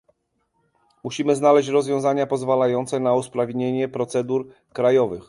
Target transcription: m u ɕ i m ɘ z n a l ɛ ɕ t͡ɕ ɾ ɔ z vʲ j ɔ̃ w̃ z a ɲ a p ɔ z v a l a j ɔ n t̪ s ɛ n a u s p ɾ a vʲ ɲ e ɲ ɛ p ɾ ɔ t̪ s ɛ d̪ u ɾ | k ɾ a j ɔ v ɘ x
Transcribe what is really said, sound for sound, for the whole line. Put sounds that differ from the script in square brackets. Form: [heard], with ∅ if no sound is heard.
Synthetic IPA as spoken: m u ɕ i m ɘ z n a l ɛ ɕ t͡ɕ ɾ ɔ z vʲ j ɔ̃ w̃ z a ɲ a p ɔ z v a l a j ɔ n t̪ s ɛ n a u s p ɾ a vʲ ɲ e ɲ ɛ p ɾ ɔ t̪ s ɛ d̪ u ɾ | k ɾ a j ɔ v ɘ x